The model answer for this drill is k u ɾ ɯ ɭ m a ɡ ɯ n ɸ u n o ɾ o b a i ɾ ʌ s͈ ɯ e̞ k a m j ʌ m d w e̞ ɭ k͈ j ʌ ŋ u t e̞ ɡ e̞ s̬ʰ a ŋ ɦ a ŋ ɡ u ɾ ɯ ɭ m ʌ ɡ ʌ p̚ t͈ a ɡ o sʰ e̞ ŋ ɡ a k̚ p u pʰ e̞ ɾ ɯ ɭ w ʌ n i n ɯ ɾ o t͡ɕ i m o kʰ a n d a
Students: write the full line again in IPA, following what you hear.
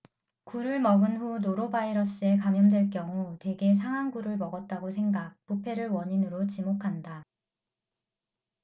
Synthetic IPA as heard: k u ɾ ɯ ɭ m ʌ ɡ ɯ n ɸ u n o ɾ o b a i ɾ ʌ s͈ ɯ e̞ k a m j ʌ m d w e̞ ɭ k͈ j ʌ ŋ u t e̞ ɡ e̞ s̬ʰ a ŋ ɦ a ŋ ɡ u ɾ ɯ ɭ m ʌ ɡ ʌ t̚ t͈ a ɡ o sʰ e̞ ŋ ɡ a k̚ p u pʰ e̞ ɾ ɯ ɭ w ʌ ɲ i n ɯ ɾ o t͡ɕ i m o kʰ a n d a